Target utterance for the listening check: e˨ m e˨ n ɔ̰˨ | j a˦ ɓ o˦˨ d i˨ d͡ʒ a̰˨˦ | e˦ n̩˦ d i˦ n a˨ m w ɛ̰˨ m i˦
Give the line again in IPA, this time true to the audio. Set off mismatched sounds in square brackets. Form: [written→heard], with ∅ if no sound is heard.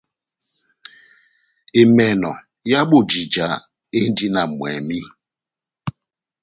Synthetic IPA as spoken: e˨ m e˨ n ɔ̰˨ | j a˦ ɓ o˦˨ [d→d͡ʒ] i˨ d͡ʒ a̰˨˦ | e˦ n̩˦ d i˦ n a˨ m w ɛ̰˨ m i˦